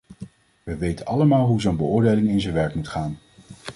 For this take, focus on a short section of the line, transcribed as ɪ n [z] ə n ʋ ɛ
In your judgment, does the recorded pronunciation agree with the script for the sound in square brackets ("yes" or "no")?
yes